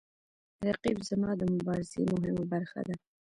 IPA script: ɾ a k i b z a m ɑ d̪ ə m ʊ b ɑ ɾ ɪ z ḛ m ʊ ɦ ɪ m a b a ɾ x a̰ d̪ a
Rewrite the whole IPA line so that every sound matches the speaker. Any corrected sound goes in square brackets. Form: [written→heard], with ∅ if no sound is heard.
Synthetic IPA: ɾ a [k→q] i b z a m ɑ d̪ ə m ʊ b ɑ ɾ ɪ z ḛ m ʊ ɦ ɪ m a b a ɾ x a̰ d̪ a